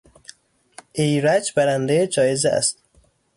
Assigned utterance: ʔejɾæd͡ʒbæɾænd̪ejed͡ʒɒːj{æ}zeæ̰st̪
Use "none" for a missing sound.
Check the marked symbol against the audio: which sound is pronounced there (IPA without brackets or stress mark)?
e